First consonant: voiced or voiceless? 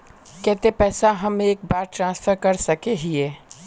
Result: voiceless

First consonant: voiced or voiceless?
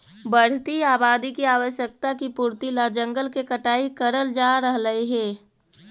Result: voiced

